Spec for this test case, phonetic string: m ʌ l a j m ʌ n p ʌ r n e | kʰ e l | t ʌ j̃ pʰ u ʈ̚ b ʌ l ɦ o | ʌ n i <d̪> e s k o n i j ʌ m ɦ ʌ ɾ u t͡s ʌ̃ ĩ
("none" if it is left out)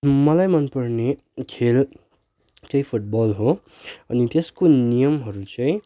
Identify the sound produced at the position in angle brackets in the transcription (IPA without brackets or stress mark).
t̪